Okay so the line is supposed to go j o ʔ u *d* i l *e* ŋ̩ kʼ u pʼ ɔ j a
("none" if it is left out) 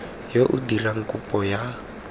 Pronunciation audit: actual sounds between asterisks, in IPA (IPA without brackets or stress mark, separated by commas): d, a